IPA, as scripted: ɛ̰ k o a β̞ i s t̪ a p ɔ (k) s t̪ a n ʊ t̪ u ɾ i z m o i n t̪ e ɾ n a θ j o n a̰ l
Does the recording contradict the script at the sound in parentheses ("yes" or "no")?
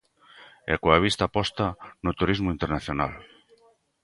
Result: yes